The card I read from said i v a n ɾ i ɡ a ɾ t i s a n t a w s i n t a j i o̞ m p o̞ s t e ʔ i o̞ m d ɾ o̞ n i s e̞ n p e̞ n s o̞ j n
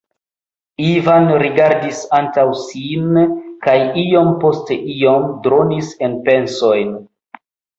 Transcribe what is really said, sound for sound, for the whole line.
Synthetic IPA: i v a n ɾ i ɡ a ɾ d i s a n t a w s i n k a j i o̞ m p o̞ s t e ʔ i o̞ m d ɾ o̞ n i s e̞ n p e̞ n s o̞ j n